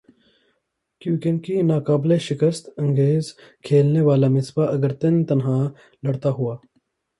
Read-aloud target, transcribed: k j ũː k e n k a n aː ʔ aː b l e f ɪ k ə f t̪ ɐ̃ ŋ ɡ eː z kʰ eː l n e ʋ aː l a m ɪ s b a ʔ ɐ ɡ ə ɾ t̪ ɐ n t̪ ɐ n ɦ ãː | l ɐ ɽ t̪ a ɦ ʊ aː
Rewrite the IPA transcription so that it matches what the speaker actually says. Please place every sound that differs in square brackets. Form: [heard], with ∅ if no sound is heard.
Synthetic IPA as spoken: k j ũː k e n k [i] n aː [k] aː b l e [ʃ] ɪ k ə [s] t̪ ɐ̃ ŋ ɡ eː z kʰ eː l n e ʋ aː l a m ɪ s b a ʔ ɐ ɡ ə ɾ t̪ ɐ n t̪ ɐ n ɦ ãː | l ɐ ɽ t̪ a ɦ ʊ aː